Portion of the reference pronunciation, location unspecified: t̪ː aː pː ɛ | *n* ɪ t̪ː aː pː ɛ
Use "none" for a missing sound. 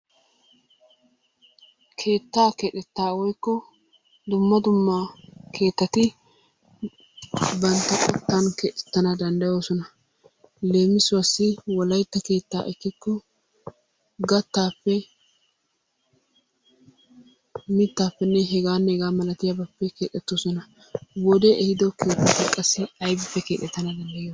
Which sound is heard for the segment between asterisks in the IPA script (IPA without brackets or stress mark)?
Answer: m